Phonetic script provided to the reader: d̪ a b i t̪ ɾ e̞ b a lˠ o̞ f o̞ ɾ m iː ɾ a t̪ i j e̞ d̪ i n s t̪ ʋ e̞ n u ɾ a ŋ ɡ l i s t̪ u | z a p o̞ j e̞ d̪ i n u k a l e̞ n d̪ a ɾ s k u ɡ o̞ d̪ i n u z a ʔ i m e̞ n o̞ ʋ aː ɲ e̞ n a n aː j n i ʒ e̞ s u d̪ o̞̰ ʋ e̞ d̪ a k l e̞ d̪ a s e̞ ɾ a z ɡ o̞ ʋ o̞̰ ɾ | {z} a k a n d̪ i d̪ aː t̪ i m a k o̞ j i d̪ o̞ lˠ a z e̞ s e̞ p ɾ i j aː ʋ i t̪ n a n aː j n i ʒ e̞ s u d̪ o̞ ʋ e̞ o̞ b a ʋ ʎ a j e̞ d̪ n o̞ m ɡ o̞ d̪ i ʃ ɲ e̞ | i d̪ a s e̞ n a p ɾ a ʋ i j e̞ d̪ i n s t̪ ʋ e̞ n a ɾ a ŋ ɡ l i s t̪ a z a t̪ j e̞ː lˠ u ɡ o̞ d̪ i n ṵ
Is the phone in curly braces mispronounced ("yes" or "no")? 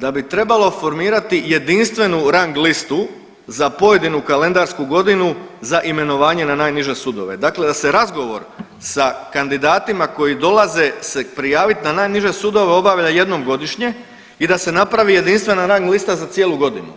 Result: yes